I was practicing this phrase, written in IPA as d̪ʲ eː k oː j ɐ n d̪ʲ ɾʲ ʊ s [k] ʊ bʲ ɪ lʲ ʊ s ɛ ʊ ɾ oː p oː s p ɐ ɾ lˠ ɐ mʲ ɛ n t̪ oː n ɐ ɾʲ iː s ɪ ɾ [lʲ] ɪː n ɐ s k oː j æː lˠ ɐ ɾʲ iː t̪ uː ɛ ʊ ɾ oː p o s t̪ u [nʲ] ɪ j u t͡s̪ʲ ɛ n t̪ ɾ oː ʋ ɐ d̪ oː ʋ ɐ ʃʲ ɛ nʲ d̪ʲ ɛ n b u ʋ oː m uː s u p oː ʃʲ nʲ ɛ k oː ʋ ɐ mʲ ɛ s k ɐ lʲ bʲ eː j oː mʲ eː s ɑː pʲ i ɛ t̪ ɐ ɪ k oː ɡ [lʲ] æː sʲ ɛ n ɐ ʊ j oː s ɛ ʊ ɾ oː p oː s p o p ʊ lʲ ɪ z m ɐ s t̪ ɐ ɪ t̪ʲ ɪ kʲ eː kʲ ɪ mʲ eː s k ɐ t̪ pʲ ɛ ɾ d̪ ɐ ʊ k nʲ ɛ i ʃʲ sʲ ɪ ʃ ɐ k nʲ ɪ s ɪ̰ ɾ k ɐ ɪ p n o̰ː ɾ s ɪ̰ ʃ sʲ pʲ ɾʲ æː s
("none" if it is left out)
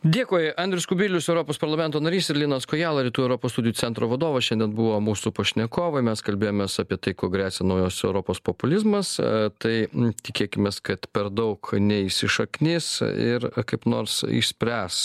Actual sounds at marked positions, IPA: k, lʲ, dʲ, ɾʲ

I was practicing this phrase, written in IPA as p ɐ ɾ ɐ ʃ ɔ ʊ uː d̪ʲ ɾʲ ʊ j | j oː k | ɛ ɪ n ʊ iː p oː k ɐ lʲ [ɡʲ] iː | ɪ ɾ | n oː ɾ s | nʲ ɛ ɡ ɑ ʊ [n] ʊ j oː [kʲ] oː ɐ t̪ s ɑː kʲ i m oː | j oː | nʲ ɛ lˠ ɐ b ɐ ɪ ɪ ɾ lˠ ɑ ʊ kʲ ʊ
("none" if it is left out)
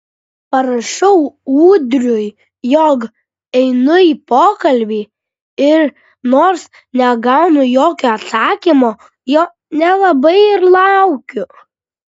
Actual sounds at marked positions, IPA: bʲ, n, kʲ

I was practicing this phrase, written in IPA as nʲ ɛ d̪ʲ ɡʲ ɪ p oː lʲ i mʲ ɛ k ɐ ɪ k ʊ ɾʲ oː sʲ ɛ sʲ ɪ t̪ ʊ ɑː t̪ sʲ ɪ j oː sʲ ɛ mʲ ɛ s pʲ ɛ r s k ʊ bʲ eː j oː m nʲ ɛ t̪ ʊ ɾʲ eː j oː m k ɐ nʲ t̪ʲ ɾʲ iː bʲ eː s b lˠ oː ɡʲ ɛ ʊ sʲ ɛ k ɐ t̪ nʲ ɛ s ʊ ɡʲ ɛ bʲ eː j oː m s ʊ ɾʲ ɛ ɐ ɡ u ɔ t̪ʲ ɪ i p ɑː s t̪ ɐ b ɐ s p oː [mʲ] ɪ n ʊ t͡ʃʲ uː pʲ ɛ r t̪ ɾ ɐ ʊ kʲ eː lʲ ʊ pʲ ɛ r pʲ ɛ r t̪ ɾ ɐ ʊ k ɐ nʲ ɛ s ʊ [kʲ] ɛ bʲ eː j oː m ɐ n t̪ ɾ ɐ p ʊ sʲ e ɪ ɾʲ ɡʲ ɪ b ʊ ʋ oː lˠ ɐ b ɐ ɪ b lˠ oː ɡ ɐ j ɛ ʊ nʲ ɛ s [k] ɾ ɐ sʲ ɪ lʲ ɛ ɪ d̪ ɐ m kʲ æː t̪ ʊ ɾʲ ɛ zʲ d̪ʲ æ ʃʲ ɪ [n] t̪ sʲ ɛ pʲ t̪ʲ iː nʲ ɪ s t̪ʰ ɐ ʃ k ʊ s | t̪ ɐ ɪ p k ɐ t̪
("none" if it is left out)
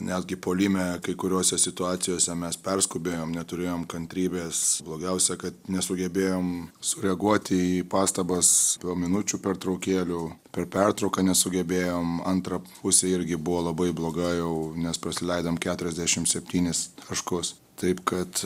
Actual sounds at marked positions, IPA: mʲ, ɡʲ, p, m

